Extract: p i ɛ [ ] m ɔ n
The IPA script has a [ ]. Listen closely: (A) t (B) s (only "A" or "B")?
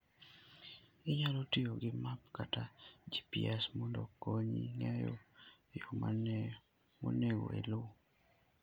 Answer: B